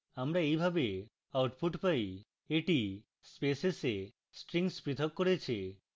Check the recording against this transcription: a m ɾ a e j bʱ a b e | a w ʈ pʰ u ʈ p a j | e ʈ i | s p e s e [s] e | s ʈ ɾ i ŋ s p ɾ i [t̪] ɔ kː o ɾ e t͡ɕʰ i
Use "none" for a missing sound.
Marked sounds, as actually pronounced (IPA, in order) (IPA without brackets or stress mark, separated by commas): s, t̪ʰ